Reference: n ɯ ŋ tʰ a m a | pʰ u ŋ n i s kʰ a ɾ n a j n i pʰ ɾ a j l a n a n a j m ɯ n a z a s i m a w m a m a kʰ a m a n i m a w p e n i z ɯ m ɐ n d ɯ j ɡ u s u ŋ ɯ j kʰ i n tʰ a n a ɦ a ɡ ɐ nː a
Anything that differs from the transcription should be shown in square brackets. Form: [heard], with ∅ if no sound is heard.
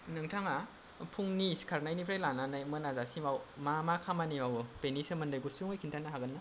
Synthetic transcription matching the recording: n ɯ ŋ tʰ a [ŋ] a | pʰ u ŋ n i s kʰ a ɾ n a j n i pʰ ɾ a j l a n a n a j m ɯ n a z a s i m a w m a m a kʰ a m a n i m a w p e n i [s] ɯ m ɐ n d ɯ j ɡ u s u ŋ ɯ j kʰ i n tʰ a n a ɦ a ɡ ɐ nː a